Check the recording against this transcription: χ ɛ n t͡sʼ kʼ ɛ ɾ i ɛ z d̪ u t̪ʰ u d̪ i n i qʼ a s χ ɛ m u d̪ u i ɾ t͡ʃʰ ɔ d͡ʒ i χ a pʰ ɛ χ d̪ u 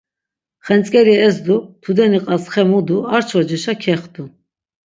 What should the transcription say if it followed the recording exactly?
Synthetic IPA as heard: χ ɛ n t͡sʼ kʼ ɛ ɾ i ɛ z d̪ u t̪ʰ u d̪ ɛ n i qʼ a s χ ɛ m u d̪ u a ɾ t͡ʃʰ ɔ d͡ʒ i ʃ a kʰ ɛ χ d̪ u